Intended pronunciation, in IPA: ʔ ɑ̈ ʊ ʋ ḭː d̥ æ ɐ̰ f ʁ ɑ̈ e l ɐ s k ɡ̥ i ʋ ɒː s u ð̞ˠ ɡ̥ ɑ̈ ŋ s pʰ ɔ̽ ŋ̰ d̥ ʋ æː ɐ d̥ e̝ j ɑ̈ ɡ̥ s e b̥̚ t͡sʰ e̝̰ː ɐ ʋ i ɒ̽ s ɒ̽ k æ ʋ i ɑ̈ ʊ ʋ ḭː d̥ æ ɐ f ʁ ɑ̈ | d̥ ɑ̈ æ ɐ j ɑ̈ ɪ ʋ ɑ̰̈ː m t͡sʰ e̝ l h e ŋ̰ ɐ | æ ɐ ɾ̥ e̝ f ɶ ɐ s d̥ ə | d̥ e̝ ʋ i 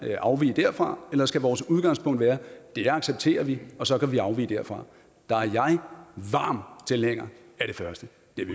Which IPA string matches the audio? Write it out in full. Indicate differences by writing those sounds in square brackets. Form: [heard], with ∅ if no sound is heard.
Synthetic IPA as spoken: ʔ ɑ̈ ʊ ʋ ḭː d̥ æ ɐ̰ f ʁ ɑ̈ e l ɐ s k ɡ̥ [æ] ʋ ɒː s u ð̞ˠ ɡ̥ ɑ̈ ŋ s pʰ ɔ̽ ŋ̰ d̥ ʋ æː ɐ d̥ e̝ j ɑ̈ ɡ̥ s e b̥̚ t͡sʰ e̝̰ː ɐ ʋ i ɒ̽ s ɒ̽ k æ ʋ i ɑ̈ ʊ ʋ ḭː d̥ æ ɐ f ʁ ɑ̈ | d̥ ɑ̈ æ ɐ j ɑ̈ ɪ ʋ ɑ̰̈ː m t͡sʰ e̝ l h e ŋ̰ ɐ | æ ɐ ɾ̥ e̝ f ɶ ɐ s d̥ ə | d̥ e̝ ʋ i